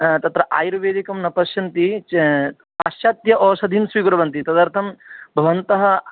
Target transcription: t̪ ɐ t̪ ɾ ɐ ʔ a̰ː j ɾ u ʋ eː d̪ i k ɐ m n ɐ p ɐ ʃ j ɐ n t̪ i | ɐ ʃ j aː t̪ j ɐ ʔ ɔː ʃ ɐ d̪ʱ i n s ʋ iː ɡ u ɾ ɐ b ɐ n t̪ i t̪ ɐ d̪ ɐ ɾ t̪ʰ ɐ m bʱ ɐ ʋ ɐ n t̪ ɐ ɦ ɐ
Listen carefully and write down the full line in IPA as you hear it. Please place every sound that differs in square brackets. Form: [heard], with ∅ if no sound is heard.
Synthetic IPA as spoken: t̪ ɐ t̪ ɾ ɐ ʔ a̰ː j ɾ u ʋ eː d̪ i k ɐ m n ɐ p ɐ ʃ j ɐ n t̪ i | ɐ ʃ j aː t̪ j ɐ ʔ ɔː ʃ ɐ d̪ʱ i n s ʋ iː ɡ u ɾ ɐ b ɐ n t̪ i t̪ ɐ d̪ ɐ ɾ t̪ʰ ɐ m bʱ ɐ ʋ ɐ n t̪ ɐ ɦ ɐ